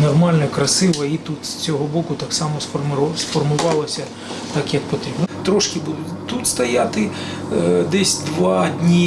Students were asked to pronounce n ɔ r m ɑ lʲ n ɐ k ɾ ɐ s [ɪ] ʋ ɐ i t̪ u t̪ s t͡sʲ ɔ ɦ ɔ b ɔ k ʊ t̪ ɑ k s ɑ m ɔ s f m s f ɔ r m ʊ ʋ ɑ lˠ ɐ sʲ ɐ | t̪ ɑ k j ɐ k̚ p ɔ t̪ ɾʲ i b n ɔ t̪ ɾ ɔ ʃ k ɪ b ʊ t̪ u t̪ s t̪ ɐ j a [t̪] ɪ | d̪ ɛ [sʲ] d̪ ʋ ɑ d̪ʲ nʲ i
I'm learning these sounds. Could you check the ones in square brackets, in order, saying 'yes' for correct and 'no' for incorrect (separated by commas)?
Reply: yes, yes, yes